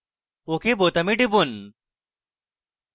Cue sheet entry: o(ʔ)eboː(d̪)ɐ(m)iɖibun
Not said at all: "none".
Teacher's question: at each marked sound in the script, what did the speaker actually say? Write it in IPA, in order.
k, t̪, m

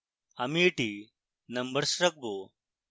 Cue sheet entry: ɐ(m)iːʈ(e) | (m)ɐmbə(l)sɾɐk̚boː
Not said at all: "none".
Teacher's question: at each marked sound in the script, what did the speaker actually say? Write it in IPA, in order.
m, i, n, ɾ

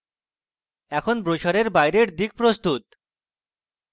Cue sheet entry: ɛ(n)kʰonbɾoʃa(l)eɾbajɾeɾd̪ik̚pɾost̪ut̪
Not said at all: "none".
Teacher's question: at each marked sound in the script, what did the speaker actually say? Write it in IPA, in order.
none, ɾ

